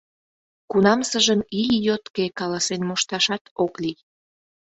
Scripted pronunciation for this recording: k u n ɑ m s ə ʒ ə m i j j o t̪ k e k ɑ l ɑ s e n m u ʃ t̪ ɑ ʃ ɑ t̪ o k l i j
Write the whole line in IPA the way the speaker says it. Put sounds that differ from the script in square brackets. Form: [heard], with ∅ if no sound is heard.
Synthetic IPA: k u n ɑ m s ə ʒ ə m i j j o t̪ k e k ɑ l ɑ s e n m [o] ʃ t̪ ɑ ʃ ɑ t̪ o k l i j

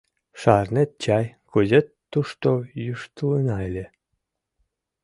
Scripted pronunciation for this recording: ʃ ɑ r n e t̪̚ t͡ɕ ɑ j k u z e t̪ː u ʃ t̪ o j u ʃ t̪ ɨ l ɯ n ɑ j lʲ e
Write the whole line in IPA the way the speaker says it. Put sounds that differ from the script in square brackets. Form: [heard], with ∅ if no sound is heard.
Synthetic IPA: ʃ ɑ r n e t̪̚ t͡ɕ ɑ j k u z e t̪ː u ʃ t̪ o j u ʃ t̪ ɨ l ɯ n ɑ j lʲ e

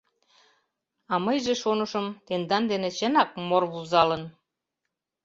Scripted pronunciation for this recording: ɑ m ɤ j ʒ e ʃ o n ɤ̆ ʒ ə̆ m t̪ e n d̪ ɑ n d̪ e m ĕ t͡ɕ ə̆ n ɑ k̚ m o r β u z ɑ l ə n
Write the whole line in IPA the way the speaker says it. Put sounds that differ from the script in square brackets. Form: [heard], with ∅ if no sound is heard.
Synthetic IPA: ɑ m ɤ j ʒ e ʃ o n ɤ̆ [ʃ] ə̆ m t̪ e n d̪ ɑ n d̪ e [n] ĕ t͡ɕ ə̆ n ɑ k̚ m o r β u z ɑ l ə n

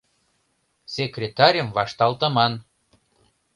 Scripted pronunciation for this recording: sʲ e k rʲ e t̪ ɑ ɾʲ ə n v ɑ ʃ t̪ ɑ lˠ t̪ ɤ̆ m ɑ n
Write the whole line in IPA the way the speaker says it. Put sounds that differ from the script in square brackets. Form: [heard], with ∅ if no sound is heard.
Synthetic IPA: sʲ e k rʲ e t̪ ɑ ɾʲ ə [m] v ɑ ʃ t̪ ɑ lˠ t̪ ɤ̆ m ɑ n

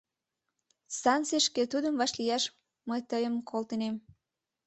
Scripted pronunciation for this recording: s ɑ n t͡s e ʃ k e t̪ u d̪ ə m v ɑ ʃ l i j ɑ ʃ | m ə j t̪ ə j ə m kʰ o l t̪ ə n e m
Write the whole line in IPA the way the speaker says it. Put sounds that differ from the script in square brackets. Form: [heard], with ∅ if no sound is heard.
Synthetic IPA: s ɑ n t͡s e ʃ k e t̪ u d̪ ə m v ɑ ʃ l i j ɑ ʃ | m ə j t̪ ə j ə m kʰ o l t̪ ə n e m

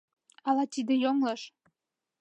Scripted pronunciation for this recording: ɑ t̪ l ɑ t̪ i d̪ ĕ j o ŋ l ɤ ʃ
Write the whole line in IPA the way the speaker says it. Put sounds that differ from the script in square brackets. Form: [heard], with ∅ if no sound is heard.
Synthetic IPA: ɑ [∅] l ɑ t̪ i d̪ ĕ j o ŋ l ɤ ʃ

